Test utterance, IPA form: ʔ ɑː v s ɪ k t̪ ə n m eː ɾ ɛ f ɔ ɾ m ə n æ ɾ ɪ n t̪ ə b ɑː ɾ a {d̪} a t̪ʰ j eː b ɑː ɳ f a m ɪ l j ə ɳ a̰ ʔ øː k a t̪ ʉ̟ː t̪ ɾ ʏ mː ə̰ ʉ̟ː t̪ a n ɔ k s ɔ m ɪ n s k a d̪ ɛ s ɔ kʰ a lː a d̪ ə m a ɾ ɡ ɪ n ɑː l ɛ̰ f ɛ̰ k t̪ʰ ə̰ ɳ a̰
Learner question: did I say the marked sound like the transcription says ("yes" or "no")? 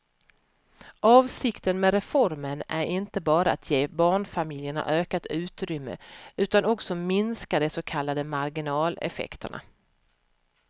no